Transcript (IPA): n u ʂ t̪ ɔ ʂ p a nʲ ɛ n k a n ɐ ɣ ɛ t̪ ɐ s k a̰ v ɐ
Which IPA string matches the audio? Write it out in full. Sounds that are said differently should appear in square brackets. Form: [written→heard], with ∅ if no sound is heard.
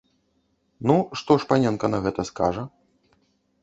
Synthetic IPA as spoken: n u ʂ t̪ ɔ ʂ p a nʲ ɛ n k [a→ɐ] n ɐ ɣ ɛ t̪ ɐ s k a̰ [v→ʐ] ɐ